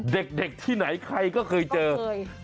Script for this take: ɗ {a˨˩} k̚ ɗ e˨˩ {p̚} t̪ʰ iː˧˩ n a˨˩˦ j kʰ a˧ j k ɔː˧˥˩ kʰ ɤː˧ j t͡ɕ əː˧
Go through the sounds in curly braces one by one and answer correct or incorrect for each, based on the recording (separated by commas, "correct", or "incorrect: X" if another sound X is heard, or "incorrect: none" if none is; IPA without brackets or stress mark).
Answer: incorrect: e˨˩, incorrect: k̚